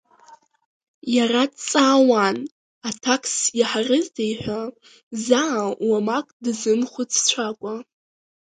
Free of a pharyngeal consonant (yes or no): no